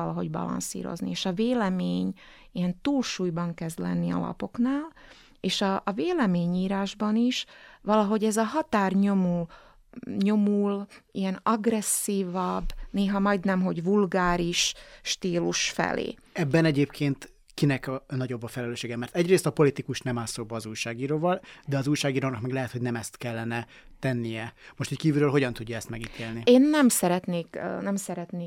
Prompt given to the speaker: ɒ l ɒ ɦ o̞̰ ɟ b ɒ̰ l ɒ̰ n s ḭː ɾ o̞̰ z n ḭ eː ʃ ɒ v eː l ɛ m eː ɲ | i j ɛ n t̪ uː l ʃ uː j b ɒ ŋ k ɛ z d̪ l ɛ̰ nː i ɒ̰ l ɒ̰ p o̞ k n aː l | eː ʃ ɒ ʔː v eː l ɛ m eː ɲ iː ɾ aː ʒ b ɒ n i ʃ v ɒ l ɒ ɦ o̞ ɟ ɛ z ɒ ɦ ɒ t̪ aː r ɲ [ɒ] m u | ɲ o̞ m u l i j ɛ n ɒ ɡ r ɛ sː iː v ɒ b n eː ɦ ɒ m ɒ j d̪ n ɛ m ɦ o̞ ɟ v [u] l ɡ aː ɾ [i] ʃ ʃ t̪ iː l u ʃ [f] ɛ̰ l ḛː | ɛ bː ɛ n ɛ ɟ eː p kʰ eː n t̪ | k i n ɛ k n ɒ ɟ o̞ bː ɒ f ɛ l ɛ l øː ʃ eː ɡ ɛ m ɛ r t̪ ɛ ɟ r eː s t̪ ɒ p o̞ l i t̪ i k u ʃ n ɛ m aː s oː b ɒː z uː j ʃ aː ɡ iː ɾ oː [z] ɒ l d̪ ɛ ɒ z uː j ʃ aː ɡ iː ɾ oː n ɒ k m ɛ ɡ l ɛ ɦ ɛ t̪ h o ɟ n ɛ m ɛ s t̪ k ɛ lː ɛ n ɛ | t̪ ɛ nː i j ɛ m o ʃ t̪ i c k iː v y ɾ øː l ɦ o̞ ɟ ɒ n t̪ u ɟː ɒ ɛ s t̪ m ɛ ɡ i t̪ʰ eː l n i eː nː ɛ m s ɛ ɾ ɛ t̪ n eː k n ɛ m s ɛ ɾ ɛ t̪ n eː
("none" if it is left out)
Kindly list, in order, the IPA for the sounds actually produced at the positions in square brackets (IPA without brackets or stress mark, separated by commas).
o, u, i, f, v